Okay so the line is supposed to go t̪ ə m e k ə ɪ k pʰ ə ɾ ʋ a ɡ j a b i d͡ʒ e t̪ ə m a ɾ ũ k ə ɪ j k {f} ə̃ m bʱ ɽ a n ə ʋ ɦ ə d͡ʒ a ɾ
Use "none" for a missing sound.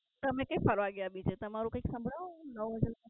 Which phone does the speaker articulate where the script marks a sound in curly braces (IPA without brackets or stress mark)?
s